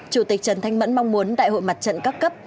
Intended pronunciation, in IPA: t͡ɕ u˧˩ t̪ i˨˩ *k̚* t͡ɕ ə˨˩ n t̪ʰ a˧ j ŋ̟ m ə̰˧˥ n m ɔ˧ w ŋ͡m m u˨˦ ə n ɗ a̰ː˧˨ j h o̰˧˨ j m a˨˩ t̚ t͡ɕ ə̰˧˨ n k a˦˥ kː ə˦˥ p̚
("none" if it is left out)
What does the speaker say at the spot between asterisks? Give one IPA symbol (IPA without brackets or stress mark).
k̚